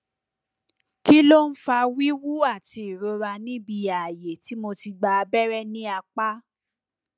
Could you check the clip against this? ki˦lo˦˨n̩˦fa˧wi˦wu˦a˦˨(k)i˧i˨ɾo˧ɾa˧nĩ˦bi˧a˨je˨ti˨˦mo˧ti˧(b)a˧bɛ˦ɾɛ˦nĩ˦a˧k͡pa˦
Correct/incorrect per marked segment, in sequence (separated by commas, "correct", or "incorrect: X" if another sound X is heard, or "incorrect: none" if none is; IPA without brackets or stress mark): incorrect: t, incorrect: ɡ͡b